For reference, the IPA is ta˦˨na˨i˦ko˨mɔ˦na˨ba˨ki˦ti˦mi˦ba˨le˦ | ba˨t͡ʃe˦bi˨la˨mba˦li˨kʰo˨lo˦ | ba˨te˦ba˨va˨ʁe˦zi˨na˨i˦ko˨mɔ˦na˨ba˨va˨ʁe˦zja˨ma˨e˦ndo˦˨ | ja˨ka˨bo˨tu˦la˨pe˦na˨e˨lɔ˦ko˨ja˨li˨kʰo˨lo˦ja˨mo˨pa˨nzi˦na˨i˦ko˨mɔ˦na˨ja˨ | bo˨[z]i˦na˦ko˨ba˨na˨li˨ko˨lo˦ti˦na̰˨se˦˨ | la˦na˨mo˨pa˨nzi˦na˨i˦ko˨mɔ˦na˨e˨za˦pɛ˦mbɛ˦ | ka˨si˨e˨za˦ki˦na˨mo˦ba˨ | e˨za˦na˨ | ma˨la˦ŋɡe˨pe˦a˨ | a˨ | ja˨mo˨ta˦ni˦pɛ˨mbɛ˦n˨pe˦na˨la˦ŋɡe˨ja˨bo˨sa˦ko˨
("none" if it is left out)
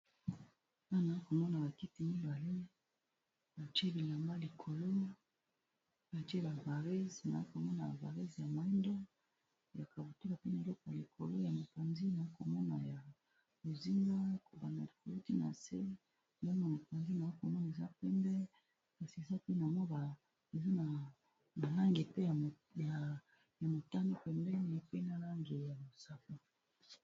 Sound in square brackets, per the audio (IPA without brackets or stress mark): z